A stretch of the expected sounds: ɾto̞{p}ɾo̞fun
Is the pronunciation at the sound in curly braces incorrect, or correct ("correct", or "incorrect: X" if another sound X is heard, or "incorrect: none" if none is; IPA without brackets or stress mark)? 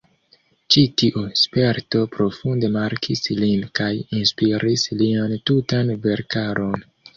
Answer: correct